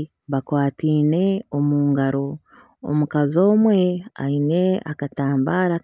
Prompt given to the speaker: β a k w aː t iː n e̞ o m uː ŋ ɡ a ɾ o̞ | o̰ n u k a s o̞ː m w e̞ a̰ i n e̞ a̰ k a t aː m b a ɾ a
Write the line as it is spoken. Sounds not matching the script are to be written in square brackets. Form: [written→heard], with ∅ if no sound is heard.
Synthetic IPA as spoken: β a k w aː t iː n e̞ o m uː ŋ ɡ a ɾ o̞ | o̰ [n→m] u k a [s→z] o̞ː m w e̞ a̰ i n e̞ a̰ k a t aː m b a ɾ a